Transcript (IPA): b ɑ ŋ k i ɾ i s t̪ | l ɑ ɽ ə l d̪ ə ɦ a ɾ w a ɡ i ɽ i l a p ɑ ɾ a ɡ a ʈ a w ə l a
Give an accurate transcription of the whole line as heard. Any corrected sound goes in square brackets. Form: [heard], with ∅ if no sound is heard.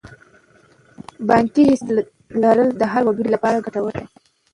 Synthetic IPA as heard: b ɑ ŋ k i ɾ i s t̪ | l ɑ [ɾ] ə l d̪ ə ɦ a ɾ w a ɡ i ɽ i l a p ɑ ɾ a ɡ a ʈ a w ə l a